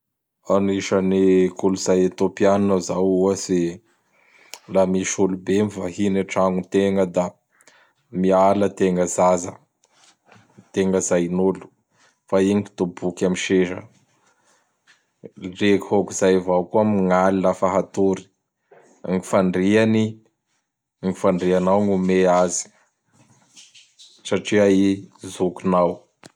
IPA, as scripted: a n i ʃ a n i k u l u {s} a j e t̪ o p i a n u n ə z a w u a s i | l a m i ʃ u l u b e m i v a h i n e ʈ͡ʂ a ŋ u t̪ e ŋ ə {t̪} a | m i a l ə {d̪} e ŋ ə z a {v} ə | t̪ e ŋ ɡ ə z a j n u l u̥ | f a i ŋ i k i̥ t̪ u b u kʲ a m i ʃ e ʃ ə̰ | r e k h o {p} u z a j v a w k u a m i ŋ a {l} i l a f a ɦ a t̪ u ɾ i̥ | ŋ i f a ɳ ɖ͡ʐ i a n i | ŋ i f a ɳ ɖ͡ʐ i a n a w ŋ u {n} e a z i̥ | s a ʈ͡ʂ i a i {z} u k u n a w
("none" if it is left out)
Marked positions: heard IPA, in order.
z, d̪, t̪, z, k, l, m, z

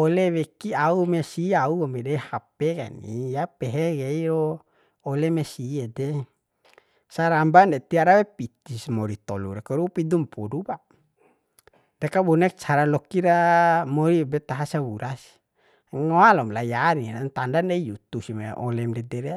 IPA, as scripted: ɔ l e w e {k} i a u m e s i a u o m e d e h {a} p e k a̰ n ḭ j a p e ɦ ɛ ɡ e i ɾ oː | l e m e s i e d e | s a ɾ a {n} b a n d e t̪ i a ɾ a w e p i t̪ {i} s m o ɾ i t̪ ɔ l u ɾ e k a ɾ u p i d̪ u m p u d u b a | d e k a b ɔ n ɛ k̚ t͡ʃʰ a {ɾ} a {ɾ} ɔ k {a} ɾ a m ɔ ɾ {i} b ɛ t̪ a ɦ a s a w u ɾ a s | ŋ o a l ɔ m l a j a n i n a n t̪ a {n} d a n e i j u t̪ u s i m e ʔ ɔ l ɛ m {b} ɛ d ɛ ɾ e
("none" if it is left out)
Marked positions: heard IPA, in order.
k, a, m, i, ɾ, l, i, i, n, d

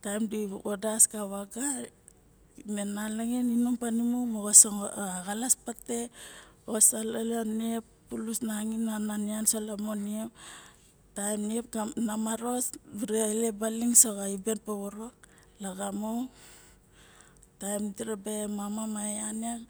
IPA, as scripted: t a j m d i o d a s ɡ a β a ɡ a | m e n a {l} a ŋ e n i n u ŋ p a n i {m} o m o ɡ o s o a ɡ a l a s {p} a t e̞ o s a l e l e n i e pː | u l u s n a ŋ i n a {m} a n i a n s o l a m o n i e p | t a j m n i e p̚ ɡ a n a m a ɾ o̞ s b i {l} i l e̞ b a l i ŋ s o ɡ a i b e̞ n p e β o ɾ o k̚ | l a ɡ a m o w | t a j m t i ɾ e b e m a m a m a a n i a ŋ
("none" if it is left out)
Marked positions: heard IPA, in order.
l, m, p, n, ɾ

